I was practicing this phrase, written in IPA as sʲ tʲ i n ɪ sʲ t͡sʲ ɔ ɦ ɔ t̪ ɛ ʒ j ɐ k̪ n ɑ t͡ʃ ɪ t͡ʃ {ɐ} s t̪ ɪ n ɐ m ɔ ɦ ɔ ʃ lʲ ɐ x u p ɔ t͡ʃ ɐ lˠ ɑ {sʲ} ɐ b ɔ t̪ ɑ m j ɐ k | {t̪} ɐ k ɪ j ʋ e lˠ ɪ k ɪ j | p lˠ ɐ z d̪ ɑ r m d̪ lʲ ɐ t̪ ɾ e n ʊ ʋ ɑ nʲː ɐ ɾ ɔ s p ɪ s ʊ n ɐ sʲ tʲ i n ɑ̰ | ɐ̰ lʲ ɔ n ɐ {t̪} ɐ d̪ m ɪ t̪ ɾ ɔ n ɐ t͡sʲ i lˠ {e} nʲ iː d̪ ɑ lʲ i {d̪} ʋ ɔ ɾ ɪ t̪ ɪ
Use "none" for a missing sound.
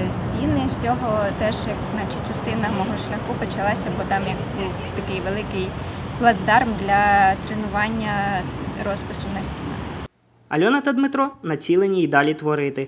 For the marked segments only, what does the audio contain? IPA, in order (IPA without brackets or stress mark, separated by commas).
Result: ɐ, sʲ, t̪, t̪, e, t̪